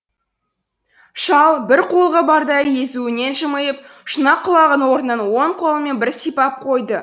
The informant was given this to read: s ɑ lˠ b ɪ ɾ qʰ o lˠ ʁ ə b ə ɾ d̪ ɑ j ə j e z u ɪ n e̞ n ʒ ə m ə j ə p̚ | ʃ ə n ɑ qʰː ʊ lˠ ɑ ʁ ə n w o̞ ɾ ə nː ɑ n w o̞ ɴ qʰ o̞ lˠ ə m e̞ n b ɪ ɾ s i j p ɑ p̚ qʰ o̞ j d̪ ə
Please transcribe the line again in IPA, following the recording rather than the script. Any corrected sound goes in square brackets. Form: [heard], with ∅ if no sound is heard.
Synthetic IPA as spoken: [ʃ] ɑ lˠ b ɪ ɾ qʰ o lˠ ʁ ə b [ɑ] ɾ d̪ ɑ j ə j e z u ɪ n e̞ n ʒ ə m ə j ə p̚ | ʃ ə n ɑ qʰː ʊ lˠ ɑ ʁ ə n w o̞ ɾ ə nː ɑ n w o̞ ɴ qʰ o̞ lˠ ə m e̞ n b ɪ ɾ s i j p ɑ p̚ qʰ o̞ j d̪ ə